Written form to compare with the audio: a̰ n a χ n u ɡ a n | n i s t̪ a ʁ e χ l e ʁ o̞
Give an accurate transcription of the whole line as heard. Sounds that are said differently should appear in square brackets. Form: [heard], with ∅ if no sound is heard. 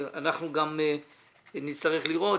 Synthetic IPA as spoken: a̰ n a χ n u ɡ a [m] | n i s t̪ a ʁ e χ l [i] ʁ o̞